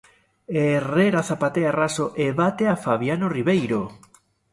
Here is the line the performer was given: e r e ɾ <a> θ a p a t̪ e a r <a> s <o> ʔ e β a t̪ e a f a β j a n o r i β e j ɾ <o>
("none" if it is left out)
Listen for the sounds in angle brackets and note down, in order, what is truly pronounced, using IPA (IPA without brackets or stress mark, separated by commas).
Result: a, a, o, o